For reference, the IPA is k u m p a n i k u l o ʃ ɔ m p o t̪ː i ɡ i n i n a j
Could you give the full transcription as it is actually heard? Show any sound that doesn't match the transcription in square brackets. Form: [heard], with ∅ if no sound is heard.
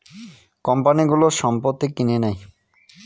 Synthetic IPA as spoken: k [ɔ] m p a n i [ɡ] u l o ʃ ɔ m p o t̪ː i [k] i n [e] n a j